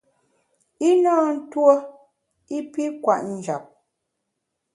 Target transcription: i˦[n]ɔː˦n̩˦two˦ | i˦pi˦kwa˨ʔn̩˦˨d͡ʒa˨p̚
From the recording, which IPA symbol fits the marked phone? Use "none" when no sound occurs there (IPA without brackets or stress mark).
n